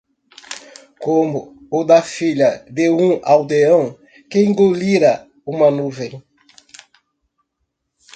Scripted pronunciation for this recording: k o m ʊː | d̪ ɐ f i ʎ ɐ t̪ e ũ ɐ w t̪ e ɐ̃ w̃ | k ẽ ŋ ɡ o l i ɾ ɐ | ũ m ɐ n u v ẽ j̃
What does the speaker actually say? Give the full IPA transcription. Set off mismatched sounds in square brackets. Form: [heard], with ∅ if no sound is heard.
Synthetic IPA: k o m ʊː | d̪ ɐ f i ʎ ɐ [d̪] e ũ [a] w [d̪] e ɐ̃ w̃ | k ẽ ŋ ɡ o l i ɾ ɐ | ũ m ɐ n u v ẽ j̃